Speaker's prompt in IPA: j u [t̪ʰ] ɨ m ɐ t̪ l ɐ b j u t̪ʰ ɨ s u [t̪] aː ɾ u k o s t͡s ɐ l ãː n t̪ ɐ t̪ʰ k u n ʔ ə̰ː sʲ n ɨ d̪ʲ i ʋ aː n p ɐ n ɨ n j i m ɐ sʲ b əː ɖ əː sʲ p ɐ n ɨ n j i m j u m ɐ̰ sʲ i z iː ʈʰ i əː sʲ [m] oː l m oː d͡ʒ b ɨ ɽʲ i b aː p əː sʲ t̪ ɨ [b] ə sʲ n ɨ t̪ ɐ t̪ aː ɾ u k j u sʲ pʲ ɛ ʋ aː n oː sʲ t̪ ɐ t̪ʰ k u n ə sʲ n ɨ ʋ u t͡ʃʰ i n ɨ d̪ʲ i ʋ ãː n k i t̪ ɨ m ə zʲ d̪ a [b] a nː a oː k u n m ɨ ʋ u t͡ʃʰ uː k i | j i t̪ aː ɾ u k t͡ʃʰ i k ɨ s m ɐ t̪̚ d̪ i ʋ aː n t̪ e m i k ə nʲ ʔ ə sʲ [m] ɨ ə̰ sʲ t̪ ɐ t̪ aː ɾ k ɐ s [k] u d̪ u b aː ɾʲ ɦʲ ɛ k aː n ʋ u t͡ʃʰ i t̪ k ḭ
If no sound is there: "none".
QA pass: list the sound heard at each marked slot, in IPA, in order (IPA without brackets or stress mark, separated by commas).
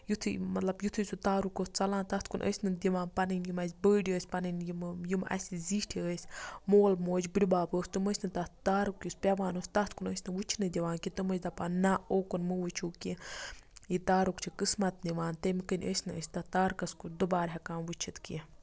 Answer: t̪ʰ, t̪, m, m, p, n, k